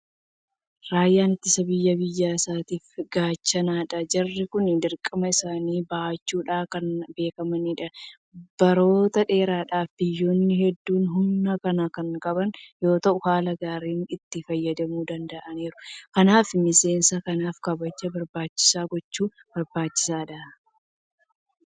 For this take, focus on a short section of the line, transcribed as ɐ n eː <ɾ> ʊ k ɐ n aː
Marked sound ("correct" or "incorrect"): correct